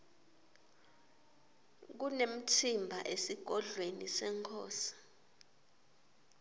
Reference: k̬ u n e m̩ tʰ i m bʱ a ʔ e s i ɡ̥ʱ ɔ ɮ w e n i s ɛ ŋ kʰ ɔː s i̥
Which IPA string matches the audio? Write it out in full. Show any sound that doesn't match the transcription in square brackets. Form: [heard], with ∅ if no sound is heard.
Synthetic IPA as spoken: k̬ u n e m̩ tʰ i m bʱ a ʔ e s i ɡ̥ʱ ɔ ɮ w e n i s ɛ ŋ kʰ ɔː s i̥